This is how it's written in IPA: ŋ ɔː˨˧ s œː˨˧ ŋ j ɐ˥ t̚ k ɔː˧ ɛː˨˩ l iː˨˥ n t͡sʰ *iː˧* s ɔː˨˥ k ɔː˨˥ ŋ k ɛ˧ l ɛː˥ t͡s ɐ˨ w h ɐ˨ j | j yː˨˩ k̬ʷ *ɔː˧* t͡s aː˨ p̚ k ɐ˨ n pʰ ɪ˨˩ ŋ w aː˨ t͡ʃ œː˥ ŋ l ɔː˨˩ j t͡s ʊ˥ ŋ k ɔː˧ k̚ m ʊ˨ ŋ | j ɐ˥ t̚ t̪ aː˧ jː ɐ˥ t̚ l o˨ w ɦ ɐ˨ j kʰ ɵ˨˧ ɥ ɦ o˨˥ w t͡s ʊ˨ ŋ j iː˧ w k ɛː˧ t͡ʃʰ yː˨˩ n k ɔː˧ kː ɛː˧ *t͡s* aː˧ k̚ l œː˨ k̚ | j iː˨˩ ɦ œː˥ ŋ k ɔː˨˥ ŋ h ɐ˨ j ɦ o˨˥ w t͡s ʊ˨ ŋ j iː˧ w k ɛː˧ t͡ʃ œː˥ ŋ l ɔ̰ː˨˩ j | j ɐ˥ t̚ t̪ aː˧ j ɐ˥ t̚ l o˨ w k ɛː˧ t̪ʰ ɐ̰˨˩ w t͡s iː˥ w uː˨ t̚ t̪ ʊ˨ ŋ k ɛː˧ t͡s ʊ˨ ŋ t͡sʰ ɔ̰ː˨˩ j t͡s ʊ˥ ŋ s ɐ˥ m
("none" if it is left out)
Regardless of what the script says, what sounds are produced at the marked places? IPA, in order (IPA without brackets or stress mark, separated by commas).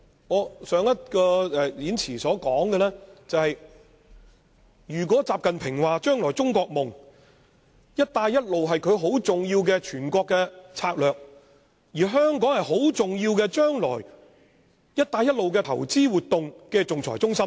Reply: iː˨˩, ɔː˨˥, t͡sʰ